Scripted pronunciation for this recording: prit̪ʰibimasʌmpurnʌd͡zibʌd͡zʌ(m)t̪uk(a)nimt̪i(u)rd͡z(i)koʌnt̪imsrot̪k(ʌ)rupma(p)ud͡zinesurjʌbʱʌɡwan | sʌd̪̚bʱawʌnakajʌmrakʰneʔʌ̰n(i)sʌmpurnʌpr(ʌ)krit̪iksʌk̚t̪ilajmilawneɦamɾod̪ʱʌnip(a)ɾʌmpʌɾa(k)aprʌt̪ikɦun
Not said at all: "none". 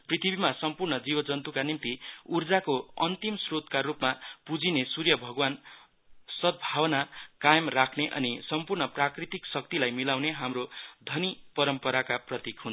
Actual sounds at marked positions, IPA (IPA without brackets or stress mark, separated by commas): n, a, u, a, a, p, i, a, ʌ, k